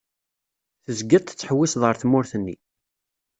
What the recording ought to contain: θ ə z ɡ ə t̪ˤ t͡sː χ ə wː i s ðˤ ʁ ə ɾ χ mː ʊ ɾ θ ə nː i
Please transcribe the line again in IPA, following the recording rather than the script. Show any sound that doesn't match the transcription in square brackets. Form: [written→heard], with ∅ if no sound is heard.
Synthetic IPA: θ ə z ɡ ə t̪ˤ t͡sː [χ→ħ] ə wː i s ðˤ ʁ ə ɾ [χ→θ] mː ʊ ɾ θ ə nː i

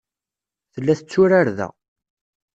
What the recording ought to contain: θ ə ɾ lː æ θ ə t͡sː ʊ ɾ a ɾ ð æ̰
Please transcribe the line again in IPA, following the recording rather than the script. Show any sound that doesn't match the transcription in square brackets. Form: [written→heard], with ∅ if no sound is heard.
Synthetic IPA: θ ə [ɾ→∅] lː æ θ ə t͡sː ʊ ɾ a ɾ ð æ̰

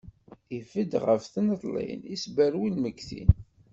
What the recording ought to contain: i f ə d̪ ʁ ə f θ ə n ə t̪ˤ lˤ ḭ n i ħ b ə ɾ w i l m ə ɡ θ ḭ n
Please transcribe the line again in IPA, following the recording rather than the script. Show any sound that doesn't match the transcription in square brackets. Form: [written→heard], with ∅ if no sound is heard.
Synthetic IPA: i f ə d̪ ʁ ə f θ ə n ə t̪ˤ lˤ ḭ n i [ħ→s] b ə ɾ w i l m ə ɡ θ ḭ n

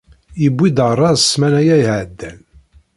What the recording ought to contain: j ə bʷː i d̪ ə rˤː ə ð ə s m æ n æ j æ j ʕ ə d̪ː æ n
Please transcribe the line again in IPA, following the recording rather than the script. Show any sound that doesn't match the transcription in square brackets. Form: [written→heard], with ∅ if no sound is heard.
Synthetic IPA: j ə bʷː i d̪ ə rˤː [ə→ɑ] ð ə s m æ n æ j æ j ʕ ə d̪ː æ n

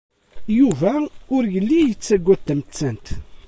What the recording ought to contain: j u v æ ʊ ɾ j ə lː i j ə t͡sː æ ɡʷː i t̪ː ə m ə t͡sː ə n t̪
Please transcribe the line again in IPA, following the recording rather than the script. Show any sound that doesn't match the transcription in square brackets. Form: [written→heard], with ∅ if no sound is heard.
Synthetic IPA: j u v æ ʊ ɾ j ə lː i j ə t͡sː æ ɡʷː [i→æ] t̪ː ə m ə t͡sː ə n t̪

